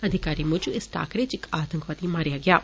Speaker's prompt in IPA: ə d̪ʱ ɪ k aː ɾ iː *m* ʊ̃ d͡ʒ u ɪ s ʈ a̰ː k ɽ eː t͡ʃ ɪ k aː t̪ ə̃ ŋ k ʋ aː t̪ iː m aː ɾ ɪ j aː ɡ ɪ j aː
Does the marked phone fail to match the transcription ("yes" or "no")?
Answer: no